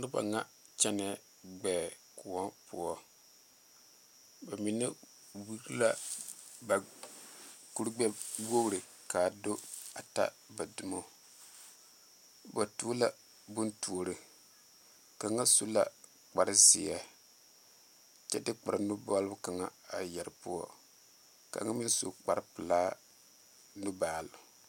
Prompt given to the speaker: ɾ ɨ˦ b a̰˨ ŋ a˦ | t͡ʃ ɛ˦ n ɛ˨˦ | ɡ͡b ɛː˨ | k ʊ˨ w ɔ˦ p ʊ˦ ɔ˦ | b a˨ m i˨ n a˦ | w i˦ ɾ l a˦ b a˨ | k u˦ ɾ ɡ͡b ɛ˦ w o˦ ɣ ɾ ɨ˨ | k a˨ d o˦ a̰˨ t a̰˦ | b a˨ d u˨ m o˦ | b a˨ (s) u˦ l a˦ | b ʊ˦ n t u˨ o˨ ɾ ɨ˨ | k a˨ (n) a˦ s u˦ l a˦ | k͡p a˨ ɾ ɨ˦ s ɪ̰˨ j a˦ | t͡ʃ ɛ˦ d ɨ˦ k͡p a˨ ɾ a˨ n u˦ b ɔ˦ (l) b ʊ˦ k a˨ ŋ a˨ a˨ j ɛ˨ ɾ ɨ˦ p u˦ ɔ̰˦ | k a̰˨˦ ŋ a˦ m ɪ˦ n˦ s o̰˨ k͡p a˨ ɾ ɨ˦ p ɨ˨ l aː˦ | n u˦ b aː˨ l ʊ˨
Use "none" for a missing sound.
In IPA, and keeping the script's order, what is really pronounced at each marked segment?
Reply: t, ŋ, l

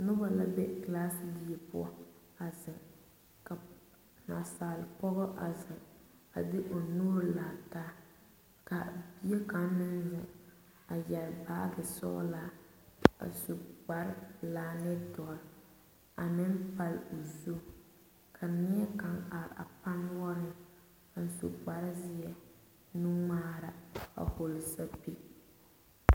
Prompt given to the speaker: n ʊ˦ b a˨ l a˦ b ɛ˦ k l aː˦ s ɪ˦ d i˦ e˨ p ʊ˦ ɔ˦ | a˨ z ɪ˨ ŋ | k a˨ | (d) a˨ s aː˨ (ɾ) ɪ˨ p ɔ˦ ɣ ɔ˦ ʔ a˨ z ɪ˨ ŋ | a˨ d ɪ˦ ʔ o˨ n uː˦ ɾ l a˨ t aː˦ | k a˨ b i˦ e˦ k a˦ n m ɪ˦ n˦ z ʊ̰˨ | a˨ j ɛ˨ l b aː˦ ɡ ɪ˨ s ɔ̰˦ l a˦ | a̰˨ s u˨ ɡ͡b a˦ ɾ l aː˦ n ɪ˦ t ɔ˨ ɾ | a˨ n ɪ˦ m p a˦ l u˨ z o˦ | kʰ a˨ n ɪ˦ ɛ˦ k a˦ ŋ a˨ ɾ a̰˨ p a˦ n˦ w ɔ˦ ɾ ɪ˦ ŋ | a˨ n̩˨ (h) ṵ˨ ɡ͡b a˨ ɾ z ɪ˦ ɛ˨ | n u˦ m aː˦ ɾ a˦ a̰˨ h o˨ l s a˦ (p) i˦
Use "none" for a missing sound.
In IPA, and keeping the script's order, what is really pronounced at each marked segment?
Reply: n, l, s, p

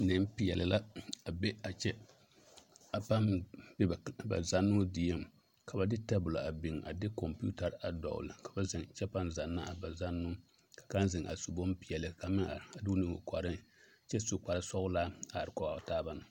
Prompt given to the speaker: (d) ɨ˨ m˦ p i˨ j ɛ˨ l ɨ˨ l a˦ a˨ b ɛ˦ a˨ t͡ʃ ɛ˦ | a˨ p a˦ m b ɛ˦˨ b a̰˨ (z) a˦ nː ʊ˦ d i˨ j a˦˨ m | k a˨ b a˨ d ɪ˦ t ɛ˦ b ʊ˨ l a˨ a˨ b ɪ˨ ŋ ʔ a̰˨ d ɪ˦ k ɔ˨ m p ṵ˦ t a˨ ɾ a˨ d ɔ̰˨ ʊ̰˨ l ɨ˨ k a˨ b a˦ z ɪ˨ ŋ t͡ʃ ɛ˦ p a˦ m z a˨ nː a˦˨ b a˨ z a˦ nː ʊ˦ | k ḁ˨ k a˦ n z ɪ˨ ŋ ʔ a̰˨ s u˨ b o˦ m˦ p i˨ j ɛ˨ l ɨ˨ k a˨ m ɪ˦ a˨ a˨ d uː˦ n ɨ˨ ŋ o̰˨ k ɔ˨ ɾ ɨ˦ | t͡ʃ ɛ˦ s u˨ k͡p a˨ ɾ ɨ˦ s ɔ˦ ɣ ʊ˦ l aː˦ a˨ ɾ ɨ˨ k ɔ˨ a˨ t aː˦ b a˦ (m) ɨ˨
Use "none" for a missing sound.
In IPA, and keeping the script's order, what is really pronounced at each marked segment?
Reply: n, z, n

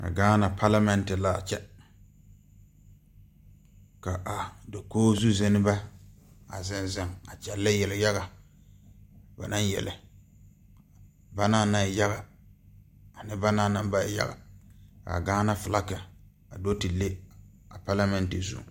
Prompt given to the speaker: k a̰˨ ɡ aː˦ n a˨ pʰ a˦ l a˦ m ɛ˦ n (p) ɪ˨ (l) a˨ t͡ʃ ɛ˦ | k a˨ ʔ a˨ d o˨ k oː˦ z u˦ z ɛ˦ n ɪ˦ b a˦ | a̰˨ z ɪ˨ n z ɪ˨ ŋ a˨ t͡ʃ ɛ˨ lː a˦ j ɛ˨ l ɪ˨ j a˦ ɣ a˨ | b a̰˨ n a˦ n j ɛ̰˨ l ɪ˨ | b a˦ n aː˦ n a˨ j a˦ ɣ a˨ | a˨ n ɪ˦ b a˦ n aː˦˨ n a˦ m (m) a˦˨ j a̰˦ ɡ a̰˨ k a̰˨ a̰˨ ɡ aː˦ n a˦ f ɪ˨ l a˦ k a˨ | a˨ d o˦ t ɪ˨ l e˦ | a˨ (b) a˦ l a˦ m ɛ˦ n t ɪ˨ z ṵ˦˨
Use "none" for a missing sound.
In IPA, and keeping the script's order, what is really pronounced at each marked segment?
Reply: t, l, b, p

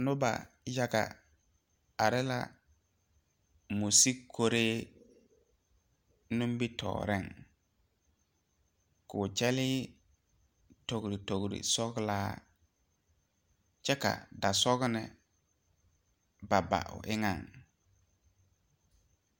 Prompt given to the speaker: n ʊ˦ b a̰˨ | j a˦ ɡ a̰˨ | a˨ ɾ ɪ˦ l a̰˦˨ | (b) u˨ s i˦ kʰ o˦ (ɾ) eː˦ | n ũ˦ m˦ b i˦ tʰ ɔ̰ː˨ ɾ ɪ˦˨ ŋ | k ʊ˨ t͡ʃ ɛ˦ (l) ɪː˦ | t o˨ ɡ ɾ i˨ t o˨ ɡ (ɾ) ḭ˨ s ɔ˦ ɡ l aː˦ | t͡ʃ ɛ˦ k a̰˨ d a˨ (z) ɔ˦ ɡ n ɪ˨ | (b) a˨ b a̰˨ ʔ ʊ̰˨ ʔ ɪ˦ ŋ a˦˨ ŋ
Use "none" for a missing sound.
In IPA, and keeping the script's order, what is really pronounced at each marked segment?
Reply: m, ɾ, l, ɾ, s, b

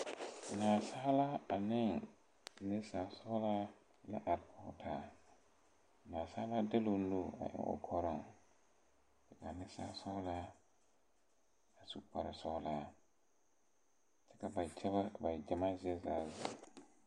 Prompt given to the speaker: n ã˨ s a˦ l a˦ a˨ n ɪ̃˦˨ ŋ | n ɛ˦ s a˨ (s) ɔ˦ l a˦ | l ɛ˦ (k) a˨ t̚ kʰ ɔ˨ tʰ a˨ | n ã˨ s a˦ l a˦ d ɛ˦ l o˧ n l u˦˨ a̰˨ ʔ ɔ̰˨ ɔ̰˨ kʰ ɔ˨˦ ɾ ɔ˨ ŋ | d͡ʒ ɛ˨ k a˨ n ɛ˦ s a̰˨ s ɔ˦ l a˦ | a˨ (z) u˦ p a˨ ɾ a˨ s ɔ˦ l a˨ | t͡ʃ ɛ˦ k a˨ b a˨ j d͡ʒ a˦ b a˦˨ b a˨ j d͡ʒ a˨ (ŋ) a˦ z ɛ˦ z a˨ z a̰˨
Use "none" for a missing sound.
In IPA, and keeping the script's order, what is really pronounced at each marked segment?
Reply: s, ʔ, s, m

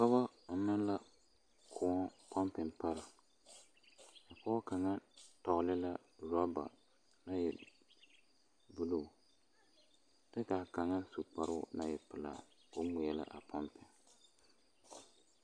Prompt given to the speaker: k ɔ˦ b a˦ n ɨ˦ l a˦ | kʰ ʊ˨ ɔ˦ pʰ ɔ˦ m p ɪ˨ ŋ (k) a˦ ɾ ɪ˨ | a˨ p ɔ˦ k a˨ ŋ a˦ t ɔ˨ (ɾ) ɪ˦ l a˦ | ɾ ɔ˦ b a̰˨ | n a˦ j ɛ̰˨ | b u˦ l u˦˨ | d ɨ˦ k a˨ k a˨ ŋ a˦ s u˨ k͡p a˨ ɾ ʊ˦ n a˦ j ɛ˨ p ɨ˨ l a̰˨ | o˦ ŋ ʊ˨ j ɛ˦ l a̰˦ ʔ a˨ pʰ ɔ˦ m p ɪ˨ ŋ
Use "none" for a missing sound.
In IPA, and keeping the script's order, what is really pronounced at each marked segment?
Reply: p, l

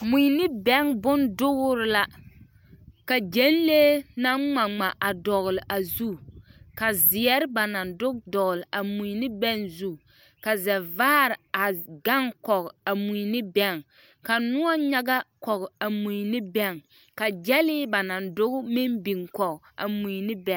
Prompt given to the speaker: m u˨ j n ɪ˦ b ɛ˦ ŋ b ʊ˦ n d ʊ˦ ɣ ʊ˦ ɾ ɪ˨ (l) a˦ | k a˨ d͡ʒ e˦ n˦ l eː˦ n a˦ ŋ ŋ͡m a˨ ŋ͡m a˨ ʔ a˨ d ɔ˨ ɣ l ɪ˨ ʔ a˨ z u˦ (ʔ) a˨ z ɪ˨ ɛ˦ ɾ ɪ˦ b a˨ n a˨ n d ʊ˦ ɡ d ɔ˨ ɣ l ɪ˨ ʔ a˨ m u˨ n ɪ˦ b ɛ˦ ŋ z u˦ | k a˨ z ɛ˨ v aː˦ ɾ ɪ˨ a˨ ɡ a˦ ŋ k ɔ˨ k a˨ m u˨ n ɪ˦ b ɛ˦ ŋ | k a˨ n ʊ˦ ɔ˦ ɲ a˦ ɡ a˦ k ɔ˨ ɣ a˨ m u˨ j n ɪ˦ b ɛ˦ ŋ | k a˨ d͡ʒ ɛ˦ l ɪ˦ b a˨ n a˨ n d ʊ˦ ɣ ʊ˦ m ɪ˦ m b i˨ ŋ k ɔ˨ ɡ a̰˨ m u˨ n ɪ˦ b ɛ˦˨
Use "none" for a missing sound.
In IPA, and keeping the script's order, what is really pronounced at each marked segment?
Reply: l, k

